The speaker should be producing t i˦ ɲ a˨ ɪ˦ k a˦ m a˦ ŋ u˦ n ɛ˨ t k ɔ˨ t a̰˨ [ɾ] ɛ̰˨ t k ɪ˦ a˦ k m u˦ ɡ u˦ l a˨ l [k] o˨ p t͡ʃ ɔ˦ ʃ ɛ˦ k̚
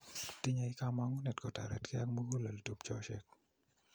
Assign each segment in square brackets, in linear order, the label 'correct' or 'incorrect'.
correct, incorrect

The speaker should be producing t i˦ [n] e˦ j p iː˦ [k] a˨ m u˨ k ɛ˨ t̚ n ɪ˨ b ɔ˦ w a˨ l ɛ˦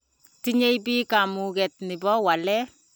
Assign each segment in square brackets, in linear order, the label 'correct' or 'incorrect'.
incorrect, correct

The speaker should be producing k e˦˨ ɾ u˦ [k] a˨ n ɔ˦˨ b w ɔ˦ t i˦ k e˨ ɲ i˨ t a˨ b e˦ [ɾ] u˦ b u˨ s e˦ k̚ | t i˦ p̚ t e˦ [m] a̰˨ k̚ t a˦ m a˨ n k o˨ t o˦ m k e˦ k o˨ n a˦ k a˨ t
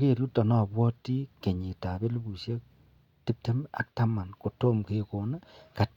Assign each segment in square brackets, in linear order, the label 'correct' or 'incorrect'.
incorrect, incorrect, correct

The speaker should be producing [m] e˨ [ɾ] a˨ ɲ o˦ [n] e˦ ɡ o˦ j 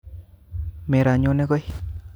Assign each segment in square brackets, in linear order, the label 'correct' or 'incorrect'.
correct, correct, correct

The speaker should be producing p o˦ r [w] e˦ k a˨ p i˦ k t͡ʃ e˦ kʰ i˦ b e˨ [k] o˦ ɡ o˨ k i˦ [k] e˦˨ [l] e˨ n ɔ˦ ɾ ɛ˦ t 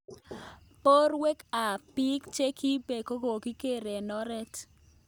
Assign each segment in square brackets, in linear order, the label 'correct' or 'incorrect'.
correct, correct, correct, incorrect

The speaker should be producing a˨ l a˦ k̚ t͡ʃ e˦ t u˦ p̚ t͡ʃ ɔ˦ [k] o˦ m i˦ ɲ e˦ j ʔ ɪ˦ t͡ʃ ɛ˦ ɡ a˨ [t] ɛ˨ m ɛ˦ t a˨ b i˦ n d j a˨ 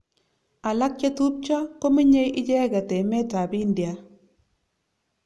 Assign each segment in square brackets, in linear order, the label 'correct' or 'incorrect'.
correct, correct

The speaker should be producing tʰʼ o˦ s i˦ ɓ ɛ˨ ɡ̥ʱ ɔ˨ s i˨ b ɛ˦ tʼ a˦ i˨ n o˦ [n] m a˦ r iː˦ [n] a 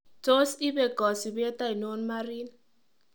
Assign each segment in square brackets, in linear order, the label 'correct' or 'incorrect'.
correct, correct

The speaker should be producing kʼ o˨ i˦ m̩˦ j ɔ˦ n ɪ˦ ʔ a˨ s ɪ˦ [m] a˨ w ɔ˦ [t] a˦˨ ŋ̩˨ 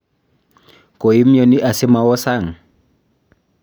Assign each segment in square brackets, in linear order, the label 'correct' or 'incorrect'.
correct, incorrect

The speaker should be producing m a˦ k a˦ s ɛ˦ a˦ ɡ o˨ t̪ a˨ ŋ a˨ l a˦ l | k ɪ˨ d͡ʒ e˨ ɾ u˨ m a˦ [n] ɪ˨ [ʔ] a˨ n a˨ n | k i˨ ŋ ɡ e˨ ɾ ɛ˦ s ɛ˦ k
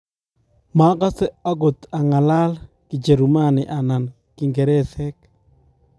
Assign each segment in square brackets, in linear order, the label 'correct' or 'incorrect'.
correct, correct

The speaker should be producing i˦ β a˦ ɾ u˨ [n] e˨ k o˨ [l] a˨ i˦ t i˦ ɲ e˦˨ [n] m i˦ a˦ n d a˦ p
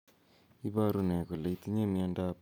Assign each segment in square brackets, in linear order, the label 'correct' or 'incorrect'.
correct, correct, incorrect

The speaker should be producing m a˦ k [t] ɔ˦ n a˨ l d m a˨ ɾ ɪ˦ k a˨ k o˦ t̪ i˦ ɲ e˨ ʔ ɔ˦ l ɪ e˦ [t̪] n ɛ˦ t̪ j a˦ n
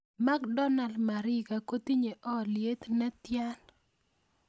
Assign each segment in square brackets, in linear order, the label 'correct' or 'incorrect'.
incorrect, correct

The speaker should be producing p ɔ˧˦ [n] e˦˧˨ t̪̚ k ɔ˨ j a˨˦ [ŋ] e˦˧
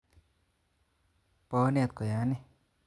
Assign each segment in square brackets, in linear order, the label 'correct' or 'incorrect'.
correct, incorrect

